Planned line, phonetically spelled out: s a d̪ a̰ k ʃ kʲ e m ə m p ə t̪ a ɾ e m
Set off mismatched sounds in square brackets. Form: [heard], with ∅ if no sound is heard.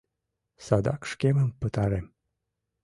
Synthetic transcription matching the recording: s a d̪ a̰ k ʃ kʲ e m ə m p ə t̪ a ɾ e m